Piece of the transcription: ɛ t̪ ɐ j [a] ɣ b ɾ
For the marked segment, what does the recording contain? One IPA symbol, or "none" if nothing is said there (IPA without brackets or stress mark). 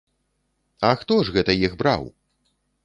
i